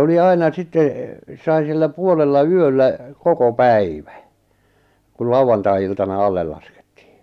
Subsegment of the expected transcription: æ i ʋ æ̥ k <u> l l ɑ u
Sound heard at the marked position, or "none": u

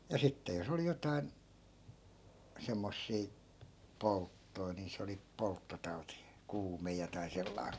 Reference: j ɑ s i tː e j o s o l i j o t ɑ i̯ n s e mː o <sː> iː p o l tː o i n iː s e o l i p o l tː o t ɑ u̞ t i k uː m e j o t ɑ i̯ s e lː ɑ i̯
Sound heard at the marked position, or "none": sː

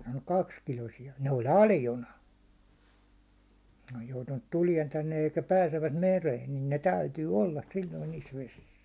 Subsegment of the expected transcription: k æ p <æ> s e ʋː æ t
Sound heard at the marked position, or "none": æː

